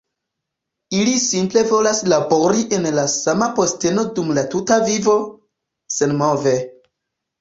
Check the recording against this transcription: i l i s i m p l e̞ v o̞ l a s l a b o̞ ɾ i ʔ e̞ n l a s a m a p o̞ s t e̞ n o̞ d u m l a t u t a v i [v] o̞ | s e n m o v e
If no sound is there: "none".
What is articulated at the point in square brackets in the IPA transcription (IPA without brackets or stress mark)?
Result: v